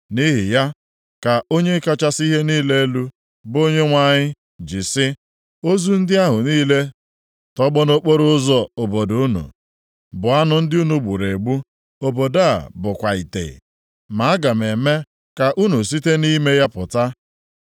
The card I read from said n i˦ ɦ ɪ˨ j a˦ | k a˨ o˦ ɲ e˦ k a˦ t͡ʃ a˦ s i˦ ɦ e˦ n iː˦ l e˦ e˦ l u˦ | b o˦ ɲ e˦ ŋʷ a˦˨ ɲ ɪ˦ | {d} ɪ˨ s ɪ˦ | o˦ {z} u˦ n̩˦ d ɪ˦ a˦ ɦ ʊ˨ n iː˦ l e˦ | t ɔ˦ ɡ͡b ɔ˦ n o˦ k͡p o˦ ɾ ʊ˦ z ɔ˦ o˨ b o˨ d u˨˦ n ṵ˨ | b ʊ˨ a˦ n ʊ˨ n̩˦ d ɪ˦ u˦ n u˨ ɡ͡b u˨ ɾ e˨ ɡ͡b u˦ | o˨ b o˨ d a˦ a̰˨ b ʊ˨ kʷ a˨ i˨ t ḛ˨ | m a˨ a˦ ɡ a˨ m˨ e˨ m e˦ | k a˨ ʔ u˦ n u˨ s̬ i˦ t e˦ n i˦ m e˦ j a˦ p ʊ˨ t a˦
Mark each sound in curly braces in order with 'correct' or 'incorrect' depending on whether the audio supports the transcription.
incorrect: d͡ʒ, correct

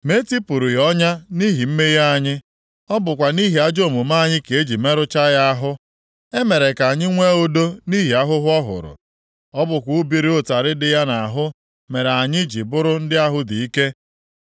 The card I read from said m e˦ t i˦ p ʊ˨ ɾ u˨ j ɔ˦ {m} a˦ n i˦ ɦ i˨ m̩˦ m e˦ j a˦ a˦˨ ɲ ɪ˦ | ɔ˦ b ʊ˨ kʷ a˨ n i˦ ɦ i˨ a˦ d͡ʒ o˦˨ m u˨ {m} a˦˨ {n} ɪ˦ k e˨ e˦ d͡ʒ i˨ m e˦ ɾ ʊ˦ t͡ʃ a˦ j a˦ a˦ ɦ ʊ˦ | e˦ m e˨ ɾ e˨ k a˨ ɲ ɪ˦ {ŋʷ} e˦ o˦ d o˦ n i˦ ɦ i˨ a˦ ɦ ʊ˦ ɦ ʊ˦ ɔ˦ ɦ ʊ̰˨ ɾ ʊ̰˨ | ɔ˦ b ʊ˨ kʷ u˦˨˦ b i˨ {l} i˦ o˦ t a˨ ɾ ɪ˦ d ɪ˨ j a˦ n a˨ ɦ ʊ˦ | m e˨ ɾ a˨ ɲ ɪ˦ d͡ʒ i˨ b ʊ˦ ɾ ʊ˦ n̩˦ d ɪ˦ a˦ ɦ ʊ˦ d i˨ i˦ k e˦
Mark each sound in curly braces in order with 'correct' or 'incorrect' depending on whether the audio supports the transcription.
incorrect: ɲ, correct, incorrect: ɲ, correct, incorrect: ɾ

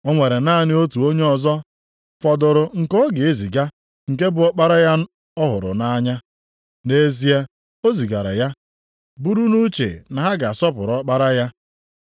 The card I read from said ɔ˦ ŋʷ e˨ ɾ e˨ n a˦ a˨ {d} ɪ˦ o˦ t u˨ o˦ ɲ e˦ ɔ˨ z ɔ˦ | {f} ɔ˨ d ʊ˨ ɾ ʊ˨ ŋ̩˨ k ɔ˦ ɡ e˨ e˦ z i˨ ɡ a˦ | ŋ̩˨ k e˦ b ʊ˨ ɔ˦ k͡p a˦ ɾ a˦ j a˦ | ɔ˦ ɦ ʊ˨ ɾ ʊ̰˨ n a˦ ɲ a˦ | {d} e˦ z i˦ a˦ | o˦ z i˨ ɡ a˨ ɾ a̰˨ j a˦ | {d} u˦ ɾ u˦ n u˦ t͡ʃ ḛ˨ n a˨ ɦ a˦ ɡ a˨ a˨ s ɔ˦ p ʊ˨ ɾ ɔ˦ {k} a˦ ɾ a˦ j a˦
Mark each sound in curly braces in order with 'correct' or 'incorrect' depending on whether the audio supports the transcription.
incorrect: n, correct, incorrect: n, incorrect: b, incorrect: k͡p

